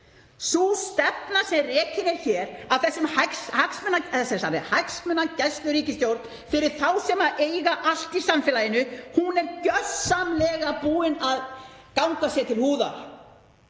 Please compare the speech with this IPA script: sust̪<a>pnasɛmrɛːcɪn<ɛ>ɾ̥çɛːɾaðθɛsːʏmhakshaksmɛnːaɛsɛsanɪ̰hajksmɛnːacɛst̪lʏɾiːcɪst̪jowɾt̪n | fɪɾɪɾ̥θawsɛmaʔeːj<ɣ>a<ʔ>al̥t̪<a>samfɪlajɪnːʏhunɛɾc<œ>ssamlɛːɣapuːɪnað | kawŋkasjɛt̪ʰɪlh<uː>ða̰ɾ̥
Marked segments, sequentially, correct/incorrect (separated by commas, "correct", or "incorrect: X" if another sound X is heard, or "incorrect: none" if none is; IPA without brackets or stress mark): incorrect: ɛ, correct, correct, correct, incorrect: i, correct, correct